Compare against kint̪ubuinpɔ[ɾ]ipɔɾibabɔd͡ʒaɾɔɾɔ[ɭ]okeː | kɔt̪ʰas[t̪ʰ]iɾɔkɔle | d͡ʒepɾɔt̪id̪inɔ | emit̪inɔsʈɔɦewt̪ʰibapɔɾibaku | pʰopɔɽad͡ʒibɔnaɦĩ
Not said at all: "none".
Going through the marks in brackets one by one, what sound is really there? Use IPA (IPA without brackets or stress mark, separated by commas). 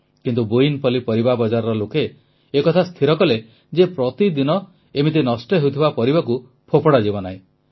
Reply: l, l, t̪ʰ